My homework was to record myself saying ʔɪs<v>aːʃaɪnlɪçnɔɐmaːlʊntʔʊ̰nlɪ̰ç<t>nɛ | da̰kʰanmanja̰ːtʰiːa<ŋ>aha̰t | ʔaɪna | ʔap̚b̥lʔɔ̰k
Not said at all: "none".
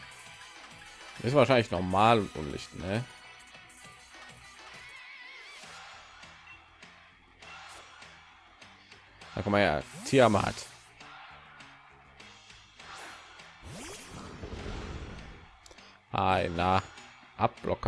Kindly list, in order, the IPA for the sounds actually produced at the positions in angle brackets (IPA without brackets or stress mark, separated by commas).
v, t, m